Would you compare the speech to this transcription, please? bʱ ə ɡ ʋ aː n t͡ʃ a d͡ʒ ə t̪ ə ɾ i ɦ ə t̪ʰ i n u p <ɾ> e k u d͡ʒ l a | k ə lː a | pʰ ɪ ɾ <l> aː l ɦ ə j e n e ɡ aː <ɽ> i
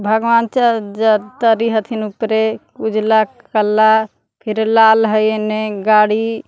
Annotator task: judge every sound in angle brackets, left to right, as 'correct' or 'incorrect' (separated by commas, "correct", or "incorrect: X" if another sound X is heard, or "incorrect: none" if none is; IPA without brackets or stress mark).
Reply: correct, correct, correct